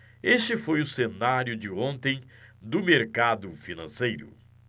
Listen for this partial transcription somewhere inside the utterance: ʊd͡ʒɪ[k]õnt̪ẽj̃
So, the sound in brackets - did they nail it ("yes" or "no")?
no